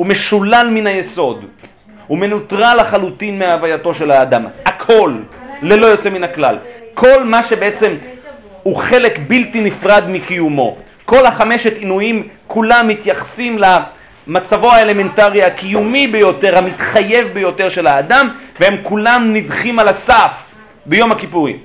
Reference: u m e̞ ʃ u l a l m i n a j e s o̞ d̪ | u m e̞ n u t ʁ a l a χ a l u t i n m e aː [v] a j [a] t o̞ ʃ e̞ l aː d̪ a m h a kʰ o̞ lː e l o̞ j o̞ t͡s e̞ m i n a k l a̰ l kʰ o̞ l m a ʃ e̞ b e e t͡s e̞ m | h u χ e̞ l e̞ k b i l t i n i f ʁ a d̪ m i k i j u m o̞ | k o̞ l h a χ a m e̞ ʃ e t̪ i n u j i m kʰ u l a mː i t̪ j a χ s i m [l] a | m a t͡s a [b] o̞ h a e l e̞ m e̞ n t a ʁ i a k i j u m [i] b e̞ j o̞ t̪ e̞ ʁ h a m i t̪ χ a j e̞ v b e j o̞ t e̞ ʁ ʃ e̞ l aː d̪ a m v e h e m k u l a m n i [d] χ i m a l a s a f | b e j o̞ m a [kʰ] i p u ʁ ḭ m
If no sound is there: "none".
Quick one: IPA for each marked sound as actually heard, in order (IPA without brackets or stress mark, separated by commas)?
v, a, l, v, i, d, k